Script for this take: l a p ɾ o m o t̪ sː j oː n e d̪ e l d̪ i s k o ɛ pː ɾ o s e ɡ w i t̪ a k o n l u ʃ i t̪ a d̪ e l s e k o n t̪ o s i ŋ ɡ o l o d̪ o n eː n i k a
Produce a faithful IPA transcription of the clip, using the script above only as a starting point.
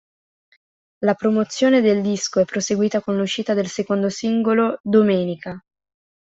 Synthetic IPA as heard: l a p ɾ o m o t̪ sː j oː n e d̪ e l d̪ i s k o ɛ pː ɾ o s e ɡ w iː t̪ a k o n l u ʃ iː t̪ a d̪ e l s e k o n d̪ o s i ŋ ɡ o l o d̪ o m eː n i k a